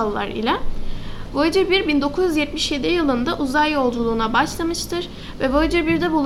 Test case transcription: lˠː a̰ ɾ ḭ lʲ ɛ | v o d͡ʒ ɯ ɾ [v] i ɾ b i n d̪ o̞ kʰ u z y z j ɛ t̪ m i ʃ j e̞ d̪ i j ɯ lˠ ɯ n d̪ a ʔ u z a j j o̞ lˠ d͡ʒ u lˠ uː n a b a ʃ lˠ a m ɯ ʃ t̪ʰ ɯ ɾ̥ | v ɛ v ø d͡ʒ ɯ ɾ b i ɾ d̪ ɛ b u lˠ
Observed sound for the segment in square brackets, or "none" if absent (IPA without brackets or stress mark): b